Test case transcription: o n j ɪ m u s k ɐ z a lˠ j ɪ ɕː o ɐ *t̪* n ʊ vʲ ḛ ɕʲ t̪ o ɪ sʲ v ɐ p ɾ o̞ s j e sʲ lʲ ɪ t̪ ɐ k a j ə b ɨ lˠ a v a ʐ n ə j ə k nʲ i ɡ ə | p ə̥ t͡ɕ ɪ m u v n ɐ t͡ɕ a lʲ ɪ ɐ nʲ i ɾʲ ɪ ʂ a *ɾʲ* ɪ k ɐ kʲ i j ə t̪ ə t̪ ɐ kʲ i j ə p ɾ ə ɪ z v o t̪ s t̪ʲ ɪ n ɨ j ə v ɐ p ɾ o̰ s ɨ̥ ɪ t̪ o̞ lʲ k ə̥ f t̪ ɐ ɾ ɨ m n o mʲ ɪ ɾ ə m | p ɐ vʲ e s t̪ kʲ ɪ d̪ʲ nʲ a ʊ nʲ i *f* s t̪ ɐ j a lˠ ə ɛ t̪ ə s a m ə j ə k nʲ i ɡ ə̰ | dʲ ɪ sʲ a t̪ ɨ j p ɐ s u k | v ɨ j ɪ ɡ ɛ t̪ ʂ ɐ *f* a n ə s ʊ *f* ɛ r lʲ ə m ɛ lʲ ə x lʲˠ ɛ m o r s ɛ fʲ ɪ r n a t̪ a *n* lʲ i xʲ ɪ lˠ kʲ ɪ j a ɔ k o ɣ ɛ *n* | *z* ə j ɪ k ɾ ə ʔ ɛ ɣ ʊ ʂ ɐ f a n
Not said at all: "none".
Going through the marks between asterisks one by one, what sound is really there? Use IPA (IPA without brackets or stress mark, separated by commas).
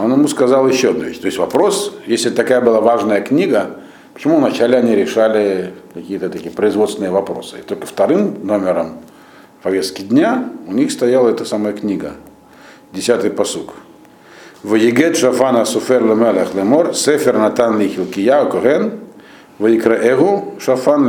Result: d̪, lʲ, x, f, f, n, n, v